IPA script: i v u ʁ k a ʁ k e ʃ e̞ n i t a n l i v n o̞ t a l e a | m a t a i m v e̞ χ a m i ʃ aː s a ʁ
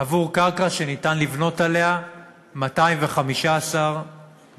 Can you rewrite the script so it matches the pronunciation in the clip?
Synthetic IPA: a v u ʁ k a ʁ k a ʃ e̞ n i t a n l i v n o̞ t a l e a | m a t a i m v e̞ χ a m i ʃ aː s a ʁ

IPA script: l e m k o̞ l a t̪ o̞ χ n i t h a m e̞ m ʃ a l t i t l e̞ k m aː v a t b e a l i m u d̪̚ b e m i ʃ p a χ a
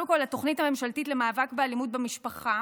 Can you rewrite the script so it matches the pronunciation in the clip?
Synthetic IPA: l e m k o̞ l a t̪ o̞ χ n i t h a m e̞ m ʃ a l t i t l e̞ m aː v a k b e a l i m u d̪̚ b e m i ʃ p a χ a

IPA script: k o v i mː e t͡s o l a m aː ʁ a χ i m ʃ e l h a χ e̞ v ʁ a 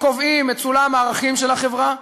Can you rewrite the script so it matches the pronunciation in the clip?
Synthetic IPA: k o v i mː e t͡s u l a m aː ʁ a χ i m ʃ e l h a χ e̞ v ʁ a

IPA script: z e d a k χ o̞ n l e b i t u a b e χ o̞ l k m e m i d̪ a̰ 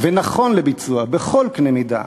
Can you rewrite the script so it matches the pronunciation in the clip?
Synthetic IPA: v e n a χ o̞ n l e b i t͡s u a b e χ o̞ l k n e m i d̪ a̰

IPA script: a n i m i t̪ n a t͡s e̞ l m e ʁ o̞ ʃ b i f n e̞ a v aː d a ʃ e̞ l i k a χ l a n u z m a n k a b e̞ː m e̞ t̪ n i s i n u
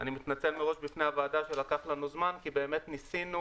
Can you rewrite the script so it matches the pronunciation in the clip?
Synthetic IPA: a n i m i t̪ n a t͡s e̞ l m e ʁ o̞ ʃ b i f n e̞ a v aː d a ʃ e̞ l a k a χ l a n u z m a n k i b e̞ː m e̞ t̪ n i s i n u

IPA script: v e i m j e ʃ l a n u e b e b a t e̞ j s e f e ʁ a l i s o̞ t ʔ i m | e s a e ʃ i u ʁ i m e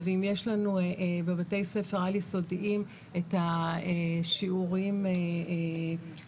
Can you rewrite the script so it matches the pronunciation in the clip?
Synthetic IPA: v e i m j e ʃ l a n u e b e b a t e̞ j s e f e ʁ a l i s o̞ d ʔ i m | e t a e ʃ i u ʁ i m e

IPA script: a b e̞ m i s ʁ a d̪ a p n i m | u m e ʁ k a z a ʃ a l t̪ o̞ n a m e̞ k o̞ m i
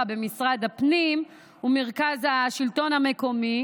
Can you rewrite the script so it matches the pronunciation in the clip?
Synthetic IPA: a b e̞ m i s ʁ a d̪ a p n i m | u m e ʁ k a z a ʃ i l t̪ o̞ n a m e̞ k o̞ m i

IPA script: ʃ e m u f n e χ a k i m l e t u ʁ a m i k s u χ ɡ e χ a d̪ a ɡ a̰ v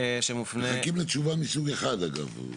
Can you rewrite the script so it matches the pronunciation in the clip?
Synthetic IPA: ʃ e m u f n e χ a k i m l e t͡ʃ u v a m i s u ɡ e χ a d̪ a ɡ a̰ v

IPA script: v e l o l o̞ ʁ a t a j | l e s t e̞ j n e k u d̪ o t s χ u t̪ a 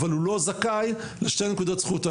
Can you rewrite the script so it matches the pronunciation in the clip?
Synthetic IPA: v a l u l o̞ z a k a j | l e ʃ t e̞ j n e k u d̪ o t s χ u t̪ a

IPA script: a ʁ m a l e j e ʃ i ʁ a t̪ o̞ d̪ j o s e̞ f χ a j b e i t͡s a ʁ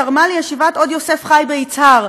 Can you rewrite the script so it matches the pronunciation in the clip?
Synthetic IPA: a ʁ m a l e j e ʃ i v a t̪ o̞ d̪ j o s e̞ f χ a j b e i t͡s a ʁ

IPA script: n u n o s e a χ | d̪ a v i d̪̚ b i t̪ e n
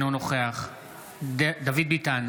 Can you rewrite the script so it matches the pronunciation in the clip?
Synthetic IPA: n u n o χ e a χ | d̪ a v i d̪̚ b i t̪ a n

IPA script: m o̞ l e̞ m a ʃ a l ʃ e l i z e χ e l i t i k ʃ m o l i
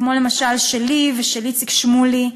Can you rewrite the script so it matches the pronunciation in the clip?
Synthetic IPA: m o̞ l e̞ m a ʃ a l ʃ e l i v e ʃ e l i t͡s i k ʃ m u l i

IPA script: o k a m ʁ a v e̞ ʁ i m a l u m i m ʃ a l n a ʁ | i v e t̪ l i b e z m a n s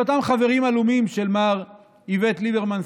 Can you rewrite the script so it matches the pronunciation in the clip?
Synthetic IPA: o t a m χ a v e̞ ʁ i m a l u m i m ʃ e l m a ʁ | i v e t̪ l i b e ʁ m a n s

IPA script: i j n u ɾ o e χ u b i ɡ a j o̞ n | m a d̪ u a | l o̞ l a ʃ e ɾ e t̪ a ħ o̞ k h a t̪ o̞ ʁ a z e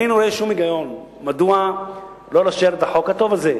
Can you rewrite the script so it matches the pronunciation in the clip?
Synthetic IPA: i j n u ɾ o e ʃ u m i ɡ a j o̞ n | m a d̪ u a | l o̞ l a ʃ e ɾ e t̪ a ħ o̞ k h a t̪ o̞ v a z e

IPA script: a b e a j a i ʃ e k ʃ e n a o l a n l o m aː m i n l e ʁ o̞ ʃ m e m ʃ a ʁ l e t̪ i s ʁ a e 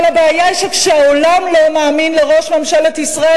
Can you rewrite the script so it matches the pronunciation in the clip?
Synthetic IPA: a b e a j a i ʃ e k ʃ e a o l a m l o m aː m i n l e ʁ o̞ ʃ m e m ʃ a l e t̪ i s ʁ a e

